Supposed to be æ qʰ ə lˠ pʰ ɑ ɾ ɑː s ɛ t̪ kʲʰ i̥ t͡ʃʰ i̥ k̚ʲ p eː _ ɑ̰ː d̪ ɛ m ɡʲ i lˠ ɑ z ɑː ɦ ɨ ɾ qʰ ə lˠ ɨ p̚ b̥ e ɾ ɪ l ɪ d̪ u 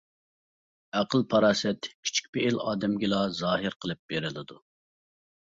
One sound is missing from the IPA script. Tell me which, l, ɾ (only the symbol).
l